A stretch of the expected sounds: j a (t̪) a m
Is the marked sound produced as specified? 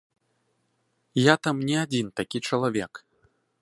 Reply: yes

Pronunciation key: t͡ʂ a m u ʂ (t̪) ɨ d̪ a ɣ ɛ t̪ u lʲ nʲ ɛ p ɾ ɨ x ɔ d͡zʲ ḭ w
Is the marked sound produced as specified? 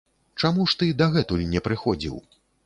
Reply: yes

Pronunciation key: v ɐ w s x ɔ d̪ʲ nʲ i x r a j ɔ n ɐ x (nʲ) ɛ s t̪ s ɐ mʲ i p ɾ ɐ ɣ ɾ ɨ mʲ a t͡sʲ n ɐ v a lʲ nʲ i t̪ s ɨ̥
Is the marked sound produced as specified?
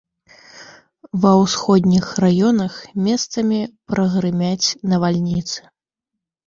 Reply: no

